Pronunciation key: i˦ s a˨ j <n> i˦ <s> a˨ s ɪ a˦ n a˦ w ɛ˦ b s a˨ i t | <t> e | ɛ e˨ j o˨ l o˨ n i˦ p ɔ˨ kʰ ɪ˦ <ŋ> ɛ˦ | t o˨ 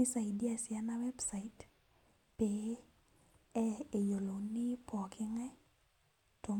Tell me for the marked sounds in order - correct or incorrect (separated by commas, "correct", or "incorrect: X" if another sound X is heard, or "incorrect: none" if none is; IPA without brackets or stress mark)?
incorrect: d, incorrect: none, incorrect: p, correct